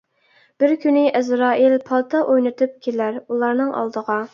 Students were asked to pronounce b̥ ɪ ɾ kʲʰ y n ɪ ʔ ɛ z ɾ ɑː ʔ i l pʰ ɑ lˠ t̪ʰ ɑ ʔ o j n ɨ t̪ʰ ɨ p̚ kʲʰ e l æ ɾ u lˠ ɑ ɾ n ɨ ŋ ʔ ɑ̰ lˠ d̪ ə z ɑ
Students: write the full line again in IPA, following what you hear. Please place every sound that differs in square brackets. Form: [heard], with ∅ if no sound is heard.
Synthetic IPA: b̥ ɪ ɾ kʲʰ y n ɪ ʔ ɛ z ɾ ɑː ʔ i l pʰ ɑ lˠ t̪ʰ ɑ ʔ o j n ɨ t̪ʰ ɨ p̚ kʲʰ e l æ ɾ u lˠ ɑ ɾ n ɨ ŋ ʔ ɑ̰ lˠ d̪ ə [ʁ] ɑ